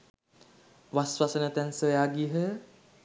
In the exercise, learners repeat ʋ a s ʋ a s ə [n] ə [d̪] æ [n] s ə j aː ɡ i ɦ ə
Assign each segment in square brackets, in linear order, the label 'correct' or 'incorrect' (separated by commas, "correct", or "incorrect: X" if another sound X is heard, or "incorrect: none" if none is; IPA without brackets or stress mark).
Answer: correct, incorrect: t̪, correct